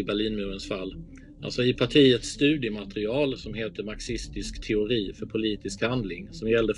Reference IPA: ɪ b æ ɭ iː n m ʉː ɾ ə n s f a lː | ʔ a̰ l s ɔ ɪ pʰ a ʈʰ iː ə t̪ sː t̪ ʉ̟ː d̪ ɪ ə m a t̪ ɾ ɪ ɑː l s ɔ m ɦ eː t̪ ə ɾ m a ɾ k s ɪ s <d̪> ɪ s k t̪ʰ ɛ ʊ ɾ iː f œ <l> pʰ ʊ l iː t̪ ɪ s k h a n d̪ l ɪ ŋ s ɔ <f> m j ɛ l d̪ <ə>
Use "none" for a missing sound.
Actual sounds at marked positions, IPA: t̪, ɾ, none, ə

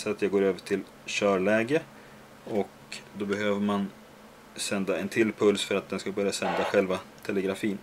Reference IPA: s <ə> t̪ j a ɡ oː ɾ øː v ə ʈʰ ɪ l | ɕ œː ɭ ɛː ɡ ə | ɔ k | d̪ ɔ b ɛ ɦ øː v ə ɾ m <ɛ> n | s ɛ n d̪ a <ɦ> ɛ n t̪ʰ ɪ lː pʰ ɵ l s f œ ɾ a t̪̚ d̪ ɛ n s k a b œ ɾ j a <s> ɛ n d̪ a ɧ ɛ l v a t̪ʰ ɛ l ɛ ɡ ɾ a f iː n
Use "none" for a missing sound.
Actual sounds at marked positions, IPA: a, a, none, s

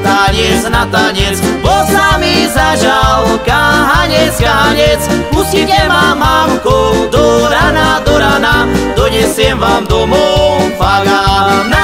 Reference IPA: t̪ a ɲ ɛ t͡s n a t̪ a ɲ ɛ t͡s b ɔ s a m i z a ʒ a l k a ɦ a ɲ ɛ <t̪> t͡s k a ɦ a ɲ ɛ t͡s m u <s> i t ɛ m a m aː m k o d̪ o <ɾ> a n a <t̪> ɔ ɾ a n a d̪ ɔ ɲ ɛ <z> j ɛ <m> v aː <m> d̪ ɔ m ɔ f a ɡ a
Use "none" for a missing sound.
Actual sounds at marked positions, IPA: none, s, ɾ, d̪, s, m, m

